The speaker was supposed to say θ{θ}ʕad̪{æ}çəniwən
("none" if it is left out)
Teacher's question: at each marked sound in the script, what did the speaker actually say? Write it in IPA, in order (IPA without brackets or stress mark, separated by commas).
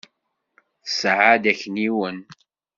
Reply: s, æ